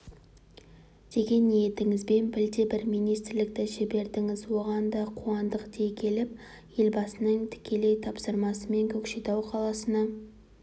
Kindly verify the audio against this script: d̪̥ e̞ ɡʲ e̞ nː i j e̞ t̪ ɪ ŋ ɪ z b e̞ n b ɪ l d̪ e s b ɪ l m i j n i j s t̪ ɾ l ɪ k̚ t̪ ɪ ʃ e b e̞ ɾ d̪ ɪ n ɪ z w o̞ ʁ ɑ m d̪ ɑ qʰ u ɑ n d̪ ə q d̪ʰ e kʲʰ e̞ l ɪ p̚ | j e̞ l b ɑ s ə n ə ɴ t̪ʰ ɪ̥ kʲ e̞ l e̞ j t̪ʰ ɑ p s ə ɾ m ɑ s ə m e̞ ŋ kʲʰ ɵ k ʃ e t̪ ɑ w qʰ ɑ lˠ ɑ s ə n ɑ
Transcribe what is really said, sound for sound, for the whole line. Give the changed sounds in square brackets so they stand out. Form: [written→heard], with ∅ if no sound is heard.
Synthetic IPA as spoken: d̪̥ e̞ ɡʲ e̞ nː i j e̞ t̪ ɪ ŋ ɪ z b e̞ n b ɪ l d̪ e [s→∅] b ɪ [l→ɾ] m i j n i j s t̪ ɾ l ɪ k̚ t̪ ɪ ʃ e b e̞ ɾ d̪ ɪ [n→ŋ] ɪ z w o̞ ʁ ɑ [m→n] d̪ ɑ qʰ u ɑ n d̪ ə q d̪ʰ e kʲʰ e̞ l ɪ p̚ | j e̞ l b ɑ s ə n ə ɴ t̪ʰ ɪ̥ kʲ e̞ l e̞ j t̪ʰ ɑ p s ə ɾ m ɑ s ə m e̞ ŋ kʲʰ ɵ k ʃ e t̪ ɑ w qʰ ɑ lˠ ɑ s ə n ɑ